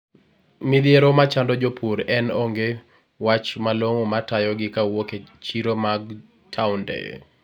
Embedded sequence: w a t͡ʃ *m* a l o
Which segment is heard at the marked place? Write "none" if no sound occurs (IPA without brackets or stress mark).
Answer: m